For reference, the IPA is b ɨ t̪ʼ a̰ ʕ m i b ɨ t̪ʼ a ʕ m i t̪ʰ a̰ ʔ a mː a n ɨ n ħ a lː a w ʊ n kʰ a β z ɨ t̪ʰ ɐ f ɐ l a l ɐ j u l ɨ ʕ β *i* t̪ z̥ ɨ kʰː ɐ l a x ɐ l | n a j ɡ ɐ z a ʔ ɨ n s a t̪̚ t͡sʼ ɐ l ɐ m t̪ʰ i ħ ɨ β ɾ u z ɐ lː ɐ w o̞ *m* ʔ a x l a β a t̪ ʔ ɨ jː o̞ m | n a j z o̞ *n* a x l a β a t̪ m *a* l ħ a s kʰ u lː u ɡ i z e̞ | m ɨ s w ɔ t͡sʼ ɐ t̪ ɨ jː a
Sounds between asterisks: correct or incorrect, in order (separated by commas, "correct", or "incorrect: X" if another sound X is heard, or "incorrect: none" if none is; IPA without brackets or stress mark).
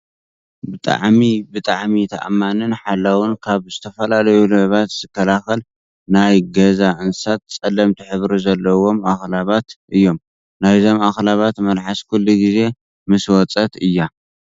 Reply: incorrect: a, correct, incorrect: m, incorrect: ɐ